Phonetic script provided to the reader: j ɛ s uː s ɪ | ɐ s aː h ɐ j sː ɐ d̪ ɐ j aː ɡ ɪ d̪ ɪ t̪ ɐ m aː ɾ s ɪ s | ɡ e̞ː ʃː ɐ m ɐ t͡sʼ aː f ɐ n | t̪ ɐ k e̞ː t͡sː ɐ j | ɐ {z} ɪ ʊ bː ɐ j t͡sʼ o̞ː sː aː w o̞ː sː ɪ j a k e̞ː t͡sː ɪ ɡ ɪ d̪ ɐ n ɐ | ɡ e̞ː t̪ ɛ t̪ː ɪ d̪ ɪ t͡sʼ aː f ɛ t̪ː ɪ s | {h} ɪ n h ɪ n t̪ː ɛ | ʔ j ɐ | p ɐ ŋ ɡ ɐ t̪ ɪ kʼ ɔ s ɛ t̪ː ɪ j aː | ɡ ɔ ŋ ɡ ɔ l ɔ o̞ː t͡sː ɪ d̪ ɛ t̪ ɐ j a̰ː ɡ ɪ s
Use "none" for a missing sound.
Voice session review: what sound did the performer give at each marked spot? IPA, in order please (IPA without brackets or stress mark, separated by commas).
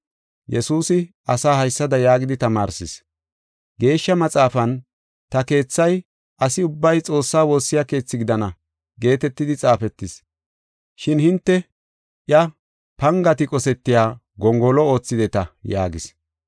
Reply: s, ʃ